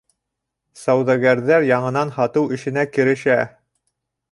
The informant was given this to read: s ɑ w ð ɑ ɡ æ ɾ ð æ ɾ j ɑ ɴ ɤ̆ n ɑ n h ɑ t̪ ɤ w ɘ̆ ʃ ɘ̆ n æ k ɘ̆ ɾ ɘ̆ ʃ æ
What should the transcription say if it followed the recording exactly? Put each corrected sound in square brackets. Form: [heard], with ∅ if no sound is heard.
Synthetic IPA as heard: s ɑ w ð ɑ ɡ æ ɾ ð æ ɾ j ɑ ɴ ɤ̆ n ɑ n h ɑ t̪ ɤ w ɘ̆ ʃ ɘ̆ n æ k ɘ̆ ɾ ɘ̆ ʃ æ